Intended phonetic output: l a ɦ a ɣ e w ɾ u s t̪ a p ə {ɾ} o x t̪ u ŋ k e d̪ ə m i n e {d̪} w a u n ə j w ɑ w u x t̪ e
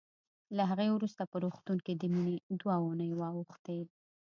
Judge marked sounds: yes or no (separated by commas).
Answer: yes, yes